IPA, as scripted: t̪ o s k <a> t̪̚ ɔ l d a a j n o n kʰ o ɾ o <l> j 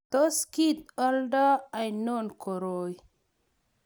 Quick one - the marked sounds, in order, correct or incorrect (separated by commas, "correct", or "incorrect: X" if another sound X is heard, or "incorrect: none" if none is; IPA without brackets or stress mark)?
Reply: incorrect: i, incorrect: none